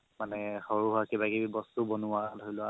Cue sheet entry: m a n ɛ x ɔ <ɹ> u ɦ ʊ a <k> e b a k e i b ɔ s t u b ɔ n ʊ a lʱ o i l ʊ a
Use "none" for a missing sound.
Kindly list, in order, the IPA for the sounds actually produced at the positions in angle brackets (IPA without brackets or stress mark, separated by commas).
ɹ, k